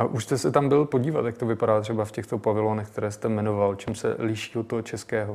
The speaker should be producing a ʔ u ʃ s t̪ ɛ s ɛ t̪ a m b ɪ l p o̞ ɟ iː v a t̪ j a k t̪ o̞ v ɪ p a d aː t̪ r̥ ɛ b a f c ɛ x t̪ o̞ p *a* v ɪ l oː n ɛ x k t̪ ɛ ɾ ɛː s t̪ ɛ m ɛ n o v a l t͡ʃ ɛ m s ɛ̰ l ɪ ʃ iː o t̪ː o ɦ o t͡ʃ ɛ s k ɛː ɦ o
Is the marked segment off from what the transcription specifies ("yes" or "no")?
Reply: no